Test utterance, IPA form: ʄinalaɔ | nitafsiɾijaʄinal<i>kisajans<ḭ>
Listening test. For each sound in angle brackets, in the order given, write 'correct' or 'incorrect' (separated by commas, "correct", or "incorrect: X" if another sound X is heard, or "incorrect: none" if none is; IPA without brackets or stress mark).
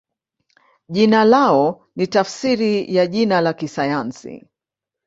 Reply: incorrect: a, correct